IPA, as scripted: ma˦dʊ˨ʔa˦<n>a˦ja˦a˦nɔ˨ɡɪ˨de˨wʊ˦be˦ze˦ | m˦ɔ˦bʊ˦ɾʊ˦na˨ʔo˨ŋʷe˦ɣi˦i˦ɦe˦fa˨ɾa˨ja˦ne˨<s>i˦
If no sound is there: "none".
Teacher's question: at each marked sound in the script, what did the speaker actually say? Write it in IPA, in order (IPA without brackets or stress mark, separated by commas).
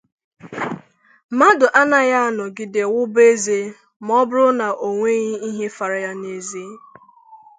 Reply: n, z